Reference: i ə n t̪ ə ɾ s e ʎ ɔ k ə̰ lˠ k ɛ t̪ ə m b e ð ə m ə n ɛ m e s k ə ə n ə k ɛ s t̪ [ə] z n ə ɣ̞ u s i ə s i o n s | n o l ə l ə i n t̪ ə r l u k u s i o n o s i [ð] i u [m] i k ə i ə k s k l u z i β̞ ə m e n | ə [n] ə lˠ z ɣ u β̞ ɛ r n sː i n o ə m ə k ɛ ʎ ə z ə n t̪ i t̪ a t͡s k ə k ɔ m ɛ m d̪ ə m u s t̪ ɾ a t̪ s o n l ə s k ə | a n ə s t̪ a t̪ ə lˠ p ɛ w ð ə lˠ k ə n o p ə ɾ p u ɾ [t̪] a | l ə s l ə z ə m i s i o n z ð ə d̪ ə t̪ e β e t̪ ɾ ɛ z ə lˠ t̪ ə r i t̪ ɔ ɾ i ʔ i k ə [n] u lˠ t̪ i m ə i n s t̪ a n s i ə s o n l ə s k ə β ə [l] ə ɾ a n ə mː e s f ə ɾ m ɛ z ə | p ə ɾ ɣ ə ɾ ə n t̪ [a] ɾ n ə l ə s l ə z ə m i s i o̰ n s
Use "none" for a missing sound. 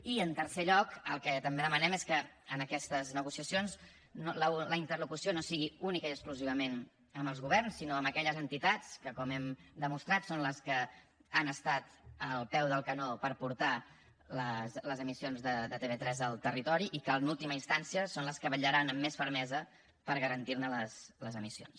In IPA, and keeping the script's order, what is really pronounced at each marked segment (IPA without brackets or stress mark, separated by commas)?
ə, ɣ, n, m, t̪, n, ʎ, i